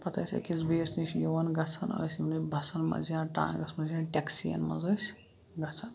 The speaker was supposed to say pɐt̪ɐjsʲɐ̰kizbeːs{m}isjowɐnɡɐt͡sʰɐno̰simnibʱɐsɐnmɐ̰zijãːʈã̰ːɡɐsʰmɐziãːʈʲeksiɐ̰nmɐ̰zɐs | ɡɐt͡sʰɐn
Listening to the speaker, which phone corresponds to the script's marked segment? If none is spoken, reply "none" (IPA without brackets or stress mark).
n